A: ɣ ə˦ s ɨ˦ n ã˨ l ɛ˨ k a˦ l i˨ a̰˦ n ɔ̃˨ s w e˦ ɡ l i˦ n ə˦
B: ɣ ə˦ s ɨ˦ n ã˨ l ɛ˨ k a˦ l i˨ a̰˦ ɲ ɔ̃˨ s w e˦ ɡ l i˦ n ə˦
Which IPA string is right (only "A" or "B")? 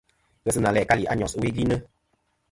B